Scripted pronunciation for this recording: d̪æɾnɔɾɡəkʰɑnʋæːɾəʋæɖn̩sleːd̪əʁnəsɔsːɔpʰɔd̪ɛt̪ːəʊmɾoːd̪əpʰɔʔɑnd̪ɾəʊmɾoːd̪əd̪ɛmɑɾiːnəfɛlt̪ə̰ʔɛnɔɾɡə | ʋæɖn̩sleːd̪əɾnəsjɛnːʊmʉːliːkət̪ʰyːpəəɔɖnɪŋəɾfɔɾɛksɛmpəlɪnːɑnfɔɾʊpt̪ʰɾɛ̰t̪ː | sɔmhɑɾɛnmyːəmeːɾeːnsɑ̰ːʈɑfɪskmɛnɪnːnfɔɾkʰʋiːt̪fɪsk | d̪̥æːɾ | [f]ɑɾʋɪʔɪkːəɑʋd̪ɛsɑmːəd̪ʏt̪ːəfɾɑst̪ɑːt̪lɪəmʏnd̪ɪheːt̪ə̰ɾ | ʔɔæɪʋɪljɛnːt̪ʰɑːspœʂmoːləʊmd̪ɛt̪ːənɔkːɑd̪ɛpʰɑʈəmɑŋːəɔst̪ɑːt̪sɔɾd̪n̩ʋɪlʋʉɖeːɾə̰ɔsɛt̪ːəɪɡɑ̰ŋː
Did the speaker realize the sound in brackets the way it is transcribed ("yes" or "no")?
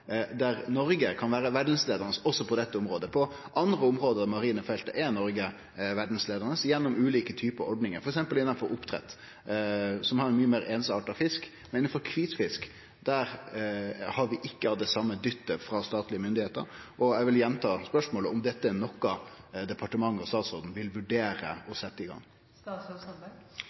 no